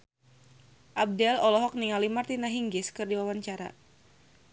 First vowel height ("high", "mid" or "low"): low